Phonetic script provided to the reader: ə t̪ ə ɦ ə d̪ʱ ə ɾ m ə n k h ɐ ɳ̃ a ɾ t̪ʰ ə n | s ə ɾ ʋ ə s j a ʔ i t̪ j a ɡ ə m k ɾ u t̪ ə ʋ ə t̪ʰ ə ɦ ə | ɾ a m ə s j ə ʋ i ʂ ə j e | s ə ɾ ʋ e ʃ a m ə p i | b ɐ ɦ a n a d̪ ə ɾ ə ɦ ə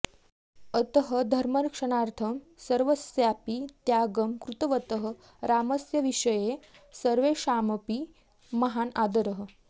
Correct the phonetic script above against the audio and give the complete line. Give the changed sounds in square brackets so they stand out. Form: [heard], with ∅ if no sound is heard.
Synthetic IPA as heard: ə t̪ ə ɦ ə d̪ʱ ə ɾ m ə n k [ʂ] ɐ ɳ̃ a ɾ t̪ʰ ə [m] | s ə ɾ ʋ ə s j a [p] i t̪ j a ɡ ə m k ɾ u t̪ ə ʋ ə [t̪] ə ɦ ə | ɾ a m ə s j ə ʋ i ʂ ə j e | s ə ɾ ʋ e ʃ a m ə p i | [m] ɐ ɦ a n a d̪ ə ɾ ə ɦ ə